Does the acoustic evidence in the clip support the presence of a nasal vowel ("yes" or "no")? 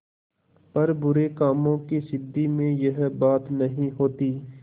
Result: yes